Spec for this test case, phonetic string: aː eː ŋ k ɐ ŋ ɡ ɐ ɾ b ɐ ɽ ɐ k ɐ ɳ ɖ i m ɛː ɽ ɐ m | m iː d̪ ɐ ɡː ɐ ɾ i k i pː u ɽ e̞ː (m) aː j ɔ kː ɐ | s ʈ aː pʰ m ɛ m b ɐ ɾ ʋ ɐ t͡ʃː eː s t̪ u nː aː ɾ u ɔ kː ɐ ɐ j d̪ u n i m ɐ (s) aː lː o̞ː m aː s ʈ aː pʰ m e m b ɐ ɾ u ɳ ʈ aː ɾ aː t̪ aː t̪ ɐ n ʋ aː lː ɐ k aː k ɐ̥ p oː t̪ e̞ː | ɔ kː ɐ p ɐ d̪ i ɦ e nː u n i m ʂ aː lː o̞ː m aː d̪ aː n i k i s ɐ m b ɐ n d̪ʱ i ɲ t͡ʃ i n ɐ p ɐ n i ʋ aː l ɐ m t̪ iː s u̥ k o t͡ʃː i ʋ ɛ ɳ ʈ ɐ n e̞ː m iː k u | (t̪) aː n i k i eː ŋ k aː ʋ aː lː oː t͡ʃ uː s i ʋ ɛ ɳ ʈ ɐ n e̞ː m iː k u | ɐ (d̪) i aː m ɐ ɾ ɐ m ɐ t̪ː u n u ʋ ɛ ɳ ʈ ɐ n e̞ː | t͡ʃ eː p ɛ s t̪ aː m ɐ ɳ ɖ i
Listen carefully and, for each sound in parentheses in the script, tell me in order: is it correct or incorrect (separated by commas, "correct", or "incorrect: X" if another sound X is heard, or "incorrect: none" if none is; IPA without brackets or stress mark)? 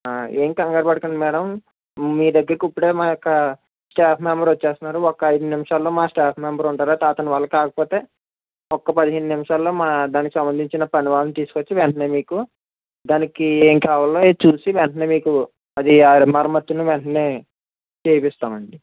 correct, incorrect: ʂ, incorrect: d̪, correct